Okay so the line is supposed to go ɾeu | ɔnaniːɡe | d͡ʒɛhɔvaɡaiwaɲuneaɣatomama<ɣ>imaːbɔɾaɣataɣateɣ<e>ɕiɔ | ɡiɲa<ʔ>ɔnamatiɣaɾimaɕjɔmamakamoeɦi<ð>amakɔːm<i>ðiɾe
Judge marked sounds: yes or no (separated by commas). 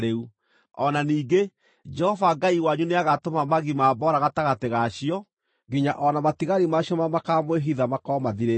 yes, no, yes, yes, no